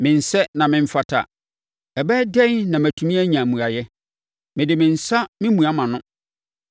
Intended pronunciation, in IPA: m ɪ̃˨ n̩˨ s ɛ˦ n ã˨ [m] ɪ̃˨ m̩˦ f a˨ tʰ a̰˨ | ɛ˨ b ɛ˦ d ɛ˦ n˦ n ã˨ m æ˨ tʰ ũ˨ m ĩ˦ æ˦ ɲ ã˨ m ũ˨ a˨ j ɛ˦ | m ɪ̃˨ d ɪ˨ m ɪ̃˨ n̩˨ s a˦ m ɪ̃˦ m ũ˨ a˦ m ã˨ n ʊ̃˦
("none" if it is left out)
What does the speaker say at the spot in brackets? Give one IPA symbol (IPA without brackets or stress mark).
m